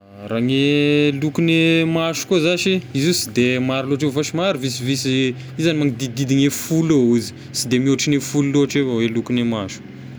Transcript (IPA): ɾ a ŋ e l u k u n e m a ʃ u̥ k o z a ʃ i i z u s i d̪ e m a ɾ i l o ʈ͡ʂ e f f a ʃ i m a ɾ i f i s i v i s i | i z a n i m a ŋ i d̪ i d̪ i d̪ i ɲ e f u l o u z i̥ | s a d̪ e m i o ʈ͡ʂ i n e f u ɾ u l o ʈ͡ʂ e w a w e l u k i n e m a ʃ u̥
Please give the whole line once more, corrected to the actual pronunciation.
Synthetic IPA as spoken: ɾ a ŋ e l u k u n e m a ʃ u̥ k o z a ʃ i i z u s i d̪ e m a ɾ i l o ʈ͡ʂ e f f a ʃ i m a ɾ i v i s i v i s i | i z a n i m a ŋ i d̪ i d̪ i d̪ i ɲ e f u l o u z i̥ | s i d̪ e m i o ʈ͡ʂ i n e f u l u l o ʈ͡ʂ e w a w e l u k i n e m a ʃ u̥